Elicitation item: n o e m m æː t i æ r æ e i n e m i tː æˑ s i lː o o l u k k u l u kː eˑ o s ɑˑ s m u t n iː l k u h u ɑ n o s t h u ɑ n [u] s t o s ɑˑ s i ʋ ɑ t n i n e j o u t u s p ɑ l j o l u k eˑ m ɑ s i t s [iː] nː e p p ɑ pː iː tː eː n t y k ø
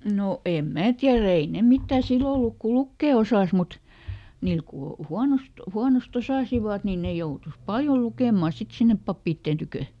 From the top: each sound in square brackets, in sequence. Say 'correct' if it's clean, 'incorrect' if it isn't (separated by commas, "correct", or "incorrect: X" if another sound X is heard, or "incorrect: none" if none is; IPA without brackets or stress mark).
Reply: incorrect: o, incorrect: i